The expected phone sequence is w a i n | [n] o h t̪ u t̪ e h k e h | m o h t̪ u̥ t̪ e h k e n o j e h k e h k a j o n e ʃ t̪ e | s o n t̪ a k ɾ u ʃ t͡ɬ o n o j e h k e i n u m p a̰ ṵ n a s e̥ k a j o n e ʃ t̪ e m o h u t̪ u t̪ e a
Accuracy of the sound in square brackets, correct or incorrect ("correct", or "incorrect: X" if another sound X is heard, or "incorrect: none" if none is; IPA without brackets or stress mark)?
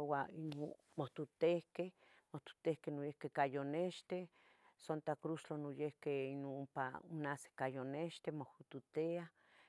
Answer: incorrect: m